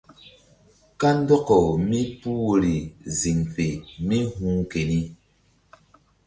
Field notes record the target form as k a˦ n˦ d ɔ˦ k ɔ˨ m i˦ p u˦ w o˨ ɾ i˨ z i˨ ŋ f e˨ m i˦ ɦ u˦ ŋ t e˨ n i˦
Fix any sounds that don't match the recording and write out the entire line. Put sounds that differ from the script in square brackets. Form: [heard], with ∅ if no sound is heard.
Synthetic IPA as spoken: k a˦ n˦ d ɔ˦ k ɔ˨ m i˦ p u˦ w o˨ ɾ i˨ z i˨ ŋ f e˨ m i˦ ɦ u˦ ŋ [k] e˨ n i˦